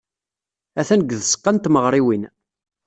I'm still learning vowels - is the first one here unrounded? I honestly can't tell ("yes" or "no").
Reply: yes